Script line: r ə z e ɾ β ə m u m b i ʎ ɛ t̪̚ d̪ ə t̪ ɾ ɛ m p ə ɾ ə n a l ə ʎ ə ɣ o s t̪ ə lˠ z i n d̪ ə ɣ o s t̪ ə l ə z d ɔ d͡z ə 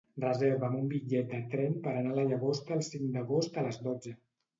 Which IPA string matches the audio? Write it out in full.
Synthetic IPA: r ə z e ɾ β ə m u m b i ʎ ɛ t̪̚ d̪ ə t̪ ɾ ɛ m p ə ɾ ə n a l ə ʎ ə ɣ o s t̪ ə lˠ s i ŋ d̪ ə ɣ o s t̪ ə l ə z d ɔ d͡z ə